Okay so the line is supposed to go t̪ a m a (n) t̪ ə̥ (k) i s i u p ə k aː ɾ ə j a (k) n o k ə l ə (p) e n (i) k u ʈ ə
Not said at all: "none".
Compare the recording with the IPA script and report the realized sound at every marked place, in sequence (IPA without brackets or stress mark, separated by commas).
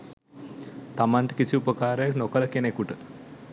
n, k, k, k, e